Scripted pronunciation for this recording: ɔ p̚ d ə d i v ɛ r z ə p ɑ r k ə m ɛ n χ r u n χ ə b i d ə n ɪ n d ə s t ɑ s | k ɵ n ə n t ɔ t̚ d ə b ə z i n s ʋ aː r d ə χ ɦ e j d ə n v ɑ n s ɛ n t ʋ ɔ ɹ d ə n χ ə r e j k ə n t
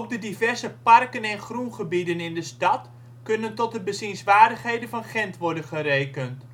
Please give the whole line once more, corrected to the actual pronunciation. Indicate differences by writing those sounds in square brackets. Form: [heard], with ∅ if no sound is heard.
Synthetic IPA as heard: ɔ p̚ d ə d i v ɛ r z ə p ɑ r k ə [n] ɛ n χ r u n χ ə b i d ə n ɪ n d ə s t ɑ [t] | k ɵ n ə n t ɔ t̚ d ə b ə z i n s ʋ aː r d ə χ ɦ e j d ə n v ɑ n [χ] ɛ n t ʋ ɔ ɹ d ə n χ ə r e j k ə n t